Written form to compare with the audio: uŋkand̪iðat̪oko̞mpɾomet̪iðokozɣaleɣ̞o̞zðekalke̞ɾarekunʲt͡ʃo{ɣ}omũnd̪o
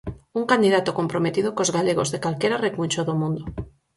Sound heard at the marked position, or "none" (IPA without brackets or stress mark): ð